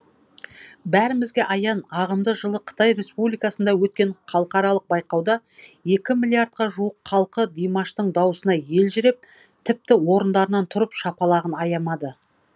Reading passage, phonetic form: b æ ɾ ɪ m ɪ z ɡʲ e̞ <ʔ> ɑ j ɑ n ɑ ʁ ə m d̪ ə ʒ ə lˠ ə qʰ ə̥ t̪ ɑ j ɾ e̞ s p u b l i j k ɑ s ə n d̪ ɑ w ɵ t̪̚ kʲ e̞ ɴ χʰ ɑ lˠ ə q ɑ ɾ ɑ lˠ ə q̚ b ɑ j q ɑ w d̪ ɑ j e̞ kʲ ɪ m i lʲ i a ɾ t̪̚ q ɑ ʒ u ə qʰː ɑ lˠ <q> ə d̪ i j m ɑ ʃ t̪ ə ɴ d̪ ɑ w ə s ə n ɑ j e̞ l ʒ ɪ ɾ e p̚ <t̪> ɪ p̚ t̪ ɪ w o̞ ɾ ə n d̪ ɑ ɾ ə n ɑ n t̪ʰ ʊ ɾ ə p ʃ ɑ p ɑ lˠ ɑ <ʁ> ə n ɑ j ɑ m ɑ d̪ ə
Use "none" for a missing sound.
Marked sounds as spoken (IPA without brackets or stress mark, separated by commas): ʔ, q, t̪ʰ, ʁ